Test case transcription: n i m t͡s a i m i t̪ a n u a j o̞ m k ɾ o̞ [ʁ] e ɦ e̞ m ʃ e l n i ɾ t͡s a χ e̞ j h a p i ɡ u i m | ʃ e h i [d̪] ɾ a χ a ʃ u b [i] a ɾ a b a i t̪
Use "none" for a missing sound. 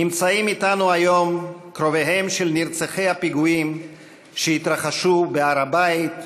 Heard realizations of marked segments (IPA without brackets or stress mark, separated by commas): v, t̪, e